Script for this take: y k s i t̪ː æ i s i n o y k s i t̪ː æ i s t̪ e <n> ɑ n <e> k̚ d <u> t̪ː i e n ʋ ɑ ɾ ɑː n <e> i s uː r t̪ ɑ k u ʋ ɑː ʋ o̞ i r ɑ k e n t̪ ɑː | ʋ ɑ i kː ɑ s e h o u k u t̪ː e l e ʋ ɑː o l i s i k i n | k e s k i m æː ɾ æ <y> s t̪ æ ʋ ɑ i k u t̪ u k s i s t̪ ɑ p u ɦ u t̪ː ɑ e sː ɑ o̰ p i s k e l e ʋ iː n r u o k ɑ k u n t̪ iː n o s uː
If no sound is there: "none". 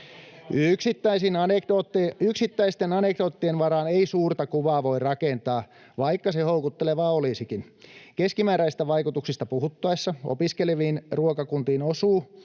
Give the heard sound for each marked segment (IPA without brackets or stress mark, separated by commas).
n, e, o, e, i